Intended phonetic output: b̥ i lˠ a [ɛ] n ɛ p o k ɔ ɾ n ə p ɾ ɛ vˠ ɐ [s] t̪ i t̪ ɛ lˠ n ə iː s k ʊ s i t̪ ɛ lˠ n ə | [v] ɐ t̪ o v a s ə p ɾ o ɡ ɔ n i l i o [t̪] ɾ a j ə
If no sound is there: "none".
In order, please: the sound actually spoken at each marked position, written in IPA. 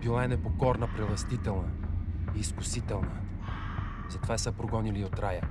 ɛ, s, z, t̪

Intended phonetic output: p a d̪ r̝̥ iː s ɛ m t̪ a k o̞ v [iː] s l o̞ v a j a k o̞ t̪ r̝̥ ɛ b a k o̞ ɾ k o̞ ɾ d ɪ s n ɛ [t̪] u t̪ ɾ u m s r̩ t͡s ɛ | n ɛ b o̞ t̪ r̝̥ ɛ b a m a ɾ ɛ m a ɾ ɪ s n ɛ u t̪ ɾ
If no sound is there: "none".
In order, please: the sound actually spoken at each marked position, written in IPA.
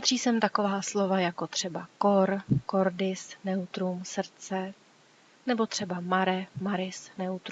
aː, none

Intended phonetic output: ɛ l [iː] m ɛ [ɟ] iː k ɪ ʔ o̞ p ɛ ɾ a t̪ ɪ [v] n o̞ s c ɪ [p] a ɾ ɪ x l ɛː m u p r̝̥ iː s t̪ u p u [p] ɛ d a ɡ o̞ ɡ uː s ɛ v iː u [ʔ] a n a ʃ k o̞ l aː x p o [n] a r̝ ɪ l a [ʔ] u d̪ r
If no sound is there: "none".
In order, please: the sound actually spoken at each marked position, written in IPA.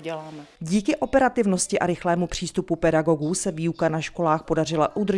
aː, ɟ, v, ʔ, p, k, d, ʔ

